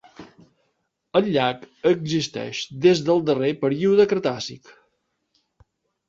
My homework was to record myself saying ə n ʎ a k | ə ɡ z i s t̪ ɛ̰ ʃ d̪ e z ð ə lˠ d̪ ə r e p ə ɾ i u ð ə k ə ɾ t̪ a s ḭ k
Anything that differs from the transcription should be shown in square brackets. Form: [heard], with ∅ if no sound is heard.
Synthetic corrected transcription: ə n ʎ a k | ə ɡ z i s t̪ ɛ̰ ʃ d̪ e z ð ə lˠ d̪ ə r e p ə ɾ i u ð ə k ə ɾ t̪ a s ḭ k